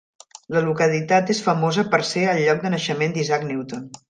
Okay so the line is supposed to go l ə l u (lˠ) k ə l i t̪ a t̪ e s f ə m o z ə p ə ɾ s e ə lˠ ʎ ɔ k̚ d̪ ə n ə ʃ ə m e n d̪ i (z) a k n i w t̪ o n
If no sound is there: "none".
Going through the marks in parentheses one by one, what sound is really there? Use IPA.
none, z

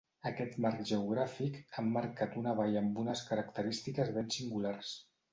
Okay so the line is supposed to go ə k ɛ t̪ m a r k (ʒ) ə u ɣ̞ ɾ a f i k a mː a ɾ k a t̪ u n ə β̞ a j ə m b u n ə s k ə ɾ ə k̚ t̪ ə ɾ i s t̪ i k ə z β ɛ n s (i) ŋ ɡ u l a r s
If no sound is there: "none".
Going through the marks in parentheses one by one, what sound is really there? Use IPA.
ʒ, i

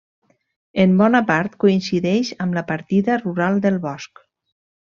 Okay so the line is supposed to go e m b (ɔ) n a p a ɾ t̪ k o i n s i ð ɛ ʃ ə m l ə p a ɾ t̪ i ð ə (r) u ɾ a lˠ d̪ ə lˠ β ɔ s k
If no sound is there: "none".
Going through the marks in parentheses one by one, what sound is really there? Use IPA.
ɔ, r

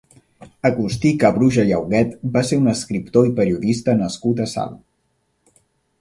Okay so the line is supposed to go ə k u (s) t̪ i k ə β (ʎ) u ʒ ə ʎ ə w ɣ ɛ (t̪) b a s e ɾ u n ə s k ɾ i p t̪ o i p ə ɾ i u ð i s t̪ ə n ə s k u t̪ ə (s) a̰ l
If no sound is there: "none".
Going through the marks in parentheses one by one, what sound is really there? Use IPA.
s, ɾ, t̪, s

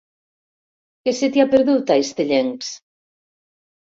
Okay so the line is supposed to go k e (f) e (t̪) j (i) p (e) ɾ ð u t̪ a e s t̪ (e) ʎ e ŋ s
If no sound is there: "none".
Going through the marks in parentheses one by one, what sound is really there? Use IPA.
s, t̪, a, e, e

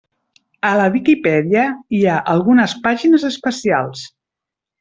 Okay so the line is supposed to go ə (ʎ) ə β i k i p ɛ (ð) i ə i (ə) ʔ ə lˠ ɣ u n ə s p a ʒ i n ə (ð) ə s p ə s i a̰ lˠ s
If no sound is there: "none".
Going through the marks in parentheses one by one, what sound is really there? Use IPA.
l, ð, a, z

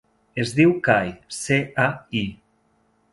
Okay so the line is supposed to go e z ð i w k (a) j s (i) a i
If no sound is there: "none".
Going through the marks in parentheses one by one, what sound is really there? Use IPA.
a, e

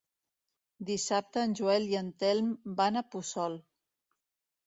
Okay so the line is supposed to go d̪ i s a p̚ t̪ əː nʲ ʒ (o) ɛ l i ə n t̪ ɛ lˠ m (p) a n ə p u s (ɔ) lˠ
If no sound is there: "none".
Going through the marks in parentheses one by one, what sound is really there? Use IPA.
u, b, ɔ

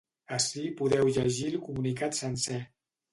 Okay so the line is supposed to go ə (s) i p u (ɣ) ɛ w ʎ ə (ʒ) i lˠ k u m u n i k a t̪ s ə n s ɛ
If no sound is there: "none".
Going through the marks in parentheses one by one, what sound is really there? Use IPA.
s, ð, ʒ

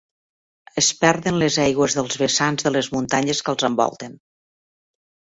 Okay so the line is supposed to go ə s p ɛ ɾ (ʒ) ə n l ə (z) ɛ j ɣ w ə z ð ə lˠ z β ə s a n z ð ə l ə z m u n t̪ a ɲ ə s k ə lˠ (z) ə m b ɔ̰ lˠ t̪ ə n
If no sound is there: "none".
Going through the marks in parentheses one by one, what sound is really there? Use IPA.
ð, z, z

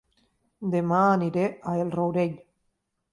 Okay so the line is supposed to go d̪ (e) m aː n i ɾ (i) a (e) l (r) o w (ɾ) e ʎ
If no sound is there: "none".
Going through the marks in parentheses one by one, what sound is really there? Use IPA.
e, e, e, r, ɾ

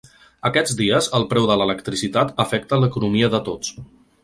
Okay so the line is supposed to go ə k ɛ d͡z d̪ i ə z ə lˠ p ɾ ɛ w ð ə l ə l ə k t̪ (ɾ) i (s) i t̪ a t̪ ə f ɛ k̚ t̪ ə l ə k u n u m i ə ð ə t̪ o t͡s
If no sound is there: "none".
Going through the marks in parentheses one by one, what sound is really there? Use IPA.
ɾ, s

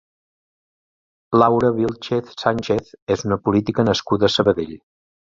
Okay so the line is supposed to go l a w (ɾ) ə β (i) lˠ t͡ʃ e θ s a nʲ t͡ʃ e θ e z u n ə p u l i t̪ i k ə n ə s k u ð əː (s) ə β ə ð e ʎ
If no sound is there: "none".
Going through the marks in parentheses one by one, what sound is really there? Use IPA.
ɾ, i, s

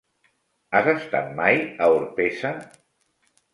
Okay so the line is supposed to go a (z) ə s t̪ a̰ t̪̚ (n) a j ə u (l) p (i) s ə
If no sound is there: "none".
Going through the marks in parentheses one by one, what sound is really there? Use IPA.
z, m, ɾ, e

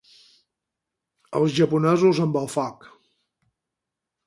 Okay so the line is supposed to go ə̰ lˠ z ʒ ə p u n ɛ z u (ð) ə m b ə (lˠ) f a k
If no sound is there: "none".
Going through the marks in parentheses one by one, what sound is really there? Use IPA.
z, lˠ

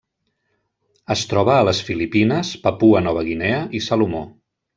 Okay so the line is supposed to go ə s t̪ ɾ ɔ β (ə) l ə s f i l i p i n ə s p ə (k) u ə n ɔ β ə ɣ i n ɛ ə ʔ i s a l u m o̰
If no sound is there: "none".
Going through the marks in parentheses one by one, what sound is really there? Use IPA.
əː, p

